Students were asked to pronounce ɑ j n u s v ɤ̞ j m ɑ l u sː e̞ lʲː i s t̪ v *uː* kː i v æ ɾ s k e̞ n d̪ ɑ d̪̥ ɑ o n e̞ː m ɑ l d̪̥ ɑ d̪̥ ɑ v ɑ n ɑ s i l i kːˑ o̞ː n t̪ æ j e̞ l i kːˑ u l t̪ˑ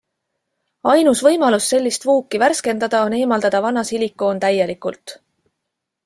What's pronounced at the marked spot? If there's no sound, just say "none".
uː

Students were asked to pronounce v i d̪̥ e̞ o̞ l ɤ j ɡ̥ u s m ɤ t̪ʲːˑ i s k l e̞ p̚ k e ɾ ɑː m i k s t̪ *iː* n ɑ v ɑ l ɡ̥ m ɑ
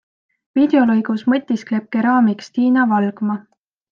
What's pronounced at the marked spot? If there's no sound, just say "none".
iː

